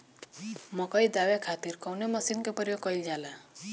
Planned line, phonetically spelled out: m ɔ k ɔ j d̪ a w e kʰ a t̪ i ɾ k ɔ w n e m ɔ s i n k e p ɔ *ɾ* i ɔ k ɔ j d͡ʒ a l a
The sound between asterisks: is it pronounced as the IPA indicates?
yes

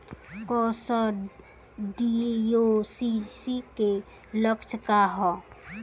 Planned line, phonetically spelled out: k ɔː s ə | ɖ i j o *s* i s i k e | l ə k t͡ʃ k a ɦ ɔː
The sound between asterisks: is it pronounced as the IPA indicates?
yes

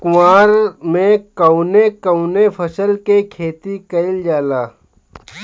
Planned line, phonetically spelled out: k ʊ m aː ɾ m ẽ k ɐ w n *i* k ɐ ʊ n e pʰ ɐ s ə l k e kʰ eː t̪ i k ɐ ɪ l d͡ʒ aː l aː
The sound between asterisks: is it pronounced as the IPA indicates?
no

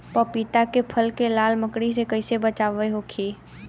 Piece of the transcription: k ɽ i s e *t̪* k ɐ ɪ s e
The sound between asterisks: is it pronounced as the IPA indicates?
no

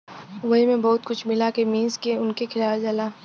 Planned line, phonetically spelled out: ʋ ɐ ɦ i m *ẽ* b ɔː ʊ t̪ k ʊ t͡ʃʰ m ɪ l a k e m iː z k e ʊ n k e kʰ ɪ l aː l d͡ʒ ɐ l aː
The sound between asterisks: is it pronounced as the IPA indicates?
yes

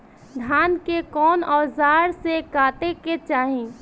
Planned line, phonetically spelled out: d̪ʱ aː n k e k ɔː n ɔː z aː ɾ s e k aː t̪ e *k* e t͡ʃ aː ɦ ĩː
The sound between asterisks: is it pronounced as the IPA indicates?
yes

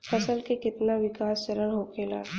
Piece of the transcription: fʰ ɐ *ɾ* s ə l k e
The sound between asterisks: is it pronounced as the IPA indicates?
no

